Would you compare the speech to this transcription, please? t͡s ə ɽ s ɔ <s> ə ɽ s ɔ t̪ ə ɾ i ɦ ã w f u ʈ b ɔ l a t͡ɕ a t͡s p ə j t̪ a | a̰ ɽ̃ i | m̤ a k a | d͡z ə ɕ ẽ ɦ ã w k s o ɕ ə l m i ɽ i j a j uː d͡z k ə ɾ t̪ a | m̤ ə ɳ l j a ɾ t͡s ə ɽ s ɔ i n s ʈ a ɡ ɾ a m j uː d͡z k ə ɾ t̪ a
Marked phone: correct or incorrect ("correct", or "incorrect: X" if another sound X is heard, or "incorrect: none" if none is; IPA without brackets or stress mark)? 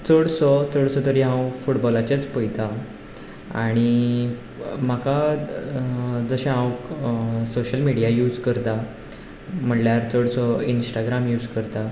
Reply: incorrect: t͡s